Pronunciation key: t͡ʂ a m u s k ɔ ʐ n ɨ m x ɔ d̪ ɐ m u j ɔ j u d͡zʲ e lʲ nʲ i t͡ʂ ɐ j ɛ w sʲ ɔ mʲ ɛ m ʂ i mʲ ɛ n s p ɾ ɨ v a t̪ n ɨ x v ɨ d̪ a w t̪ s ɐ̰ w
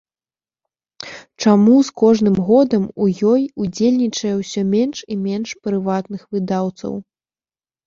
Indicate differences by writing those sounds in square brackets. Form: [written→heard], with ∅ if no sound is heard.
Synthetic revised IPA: t͡ʂ a m u s k ɔ ʐ n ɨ m [x→ɣ] ɔ d̪ ɐ m u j ɔ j u d͡zʲ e lʲ nʲ i t͡ʂ ɐ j ɛ w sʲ ɔ mʲ ɛ [m→n] ʂ i mʲ ɛ n [s→ʂ] p ɾ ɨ v a t̪ n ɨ x v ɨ d̪ a w t̪ s ɐ̰ w